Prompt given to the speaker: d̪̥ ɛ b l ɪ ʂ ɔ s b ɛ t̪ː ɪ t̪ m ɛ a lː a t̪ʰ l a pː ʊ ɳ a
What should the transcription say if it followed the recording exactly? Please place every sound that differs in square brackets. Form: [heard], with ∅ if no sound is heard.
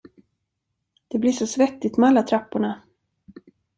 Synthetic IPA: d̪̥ ɛ b l ɪ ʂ ɔ s [v] ɛ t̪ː ɪ t̪ m ɛ a lː a t̪ʰ [ɾ] a pː ʊ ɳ a